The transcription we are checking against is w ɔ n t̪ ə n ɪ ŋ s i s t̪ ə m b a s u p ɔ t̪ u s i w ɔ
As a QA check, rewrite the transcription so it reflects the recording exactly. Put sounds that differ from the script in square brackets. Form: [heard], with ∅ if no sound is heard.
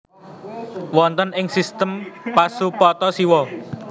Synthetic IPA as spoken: w ɔ n t̪ ə n ɪ ŋ s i s t̪ ə m [p] a s u p ɔ t̪ [ɔ] s i w ɔ